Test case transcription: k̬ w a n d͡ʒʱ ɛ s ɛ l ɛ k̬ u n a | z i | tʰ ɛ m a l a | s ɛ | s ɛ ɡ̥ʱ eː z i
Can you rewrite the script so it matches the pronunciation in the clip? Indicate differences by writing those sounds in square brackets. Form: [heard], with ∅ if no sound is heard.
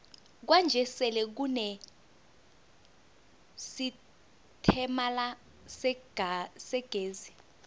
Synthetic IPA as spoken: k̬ w a n d͡ʒʱ ɛ s ɛ l ɛ k̬ u n [ɛ] | [s] i | tʰ ɛ m a l a | s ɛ | s ɛ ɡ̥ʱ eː z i